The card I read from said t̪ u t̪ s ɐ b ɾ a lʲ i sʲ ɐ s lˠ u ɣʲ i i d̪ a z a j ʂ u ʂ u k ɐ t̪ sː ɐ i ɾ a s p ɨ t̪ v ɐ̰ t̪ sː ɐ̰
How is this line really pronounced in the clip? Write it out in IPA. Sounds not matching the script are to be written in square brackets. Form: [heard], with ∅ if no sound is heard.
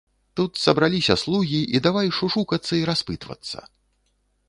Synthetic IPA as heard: t̪ u t̪ s ɐ b ɾ a lʲ i sʲ ɐ s lˠ u ɣʲ i i d̪ a [v] a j ʂ u ʂ u k ɐ t̪ sː ɐ i ɾ a s p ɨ t̪ v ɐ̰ t̪ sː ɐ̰